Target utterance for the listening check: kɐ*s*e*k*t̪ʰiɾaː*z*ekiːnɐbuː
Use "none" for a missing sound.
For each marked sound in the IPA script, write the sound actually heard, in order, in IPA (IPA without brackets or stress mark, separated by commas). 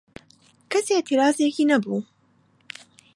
s, none, z